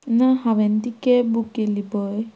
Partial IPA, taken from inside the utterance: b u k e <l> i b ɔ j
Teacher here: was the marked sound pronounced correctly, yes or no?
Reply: yes